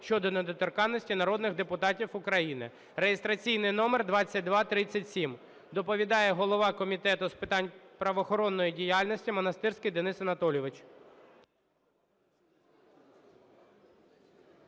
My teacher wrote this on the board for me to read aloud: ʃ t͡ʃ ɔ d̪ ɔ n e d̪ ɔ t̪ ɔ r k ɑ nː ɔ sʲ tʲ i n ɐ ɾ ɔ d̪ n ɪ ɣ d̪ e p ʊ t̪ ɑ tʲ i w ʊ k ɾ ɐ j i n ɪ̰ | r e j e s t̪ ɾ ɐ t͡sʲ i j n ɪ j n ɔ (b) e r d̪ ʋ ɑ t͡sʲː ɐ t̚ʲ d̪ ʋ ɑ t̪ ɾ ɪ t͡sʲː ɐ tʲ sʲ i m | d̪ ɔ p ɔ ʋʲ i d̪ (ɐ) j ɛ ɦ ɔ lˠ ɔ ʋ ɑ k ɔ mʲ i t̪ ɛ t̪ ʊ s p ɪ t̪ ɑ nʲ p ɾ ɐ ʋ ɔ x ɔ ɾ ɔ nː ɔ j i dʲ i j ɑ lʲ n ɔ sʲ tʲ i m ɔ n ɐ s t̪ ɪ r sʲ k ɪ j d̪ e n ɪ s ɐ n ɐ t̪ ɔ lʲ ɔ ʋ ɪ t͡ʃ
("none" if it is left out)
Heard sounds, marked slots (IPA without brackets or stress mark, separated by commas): m, ɑ